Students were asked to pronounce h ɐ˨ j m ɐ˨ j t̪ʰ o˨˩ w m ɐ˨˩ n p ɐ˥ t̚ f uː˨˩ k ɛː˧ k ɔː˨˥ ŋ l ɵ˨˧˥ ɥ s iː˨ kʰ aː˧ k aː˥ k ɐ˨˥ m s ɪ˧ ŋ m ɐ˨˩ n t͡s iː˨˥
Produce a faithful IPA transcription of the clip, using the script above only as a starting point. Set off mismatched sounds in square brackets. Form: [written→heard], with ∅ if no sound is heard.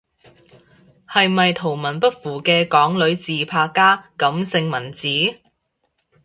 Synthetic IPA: h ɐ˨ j m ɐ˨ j t̪ʰ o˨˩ w m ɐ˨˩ n p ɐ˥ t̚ f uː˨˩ k ɛː˧ k ɔː˨˥ ŋ l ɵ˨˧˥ ɥ [s→t͡s] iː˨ [kʰ→pʰ] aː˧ k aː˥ k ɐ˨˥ m s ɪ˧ ŋ m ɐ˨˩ n t͡s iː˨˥